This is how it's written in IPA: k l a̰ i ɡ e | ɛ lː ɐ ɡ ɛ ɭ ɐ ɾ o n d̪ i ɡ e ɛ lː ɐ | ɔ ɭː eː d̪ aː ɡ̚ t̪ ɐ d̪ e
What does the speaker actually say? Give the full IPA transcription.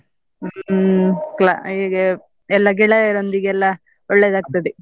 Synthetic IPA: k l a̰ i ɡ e | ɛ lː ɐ ɡ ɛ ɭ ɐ ɾ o n d̪ i ɡ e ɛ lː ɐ | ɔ ɭː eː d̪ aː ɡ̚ t̪ ɐ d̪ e